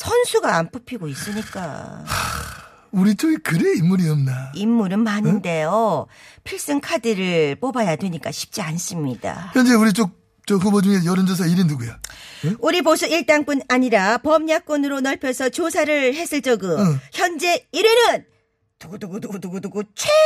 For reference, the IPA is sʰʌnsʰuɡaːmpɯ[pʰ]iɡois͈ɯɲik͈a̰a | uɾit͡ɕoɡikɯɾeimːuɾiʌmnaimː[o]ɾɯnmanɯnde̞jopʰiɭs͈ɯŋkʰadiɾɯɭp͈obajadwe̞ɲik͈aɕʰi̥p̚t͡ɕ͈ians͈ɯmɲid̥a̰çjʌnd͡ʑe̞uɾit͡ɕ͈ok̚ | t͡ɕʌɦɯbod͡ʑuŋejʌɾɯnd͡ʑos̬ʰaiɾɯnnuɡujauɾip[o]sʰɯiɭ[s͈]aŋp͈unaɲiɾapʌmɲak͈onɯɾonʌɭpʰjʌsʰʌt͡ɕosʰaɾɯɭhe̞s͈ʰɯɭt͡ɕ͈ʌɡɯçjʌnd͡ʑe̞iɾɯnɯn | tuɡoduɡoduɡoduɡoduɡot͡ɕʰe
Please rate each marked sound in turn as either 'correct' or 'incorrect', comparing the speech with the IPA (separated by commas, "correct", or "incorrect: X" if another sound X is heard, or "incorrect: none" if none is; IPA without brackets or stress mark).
correct, incorrect: u, correct, incorrect: t͈